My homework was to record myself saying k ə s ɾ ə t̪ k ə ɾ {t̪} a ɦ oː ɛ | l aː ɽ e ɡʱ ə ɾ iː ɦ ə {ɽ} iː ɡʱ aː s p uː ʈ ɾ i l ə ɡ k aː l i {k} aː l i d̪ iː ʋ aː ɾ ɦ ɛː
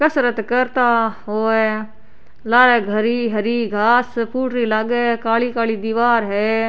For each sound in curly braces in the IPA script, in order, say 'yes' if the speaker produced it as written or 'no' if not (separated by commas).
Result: yes, no, yes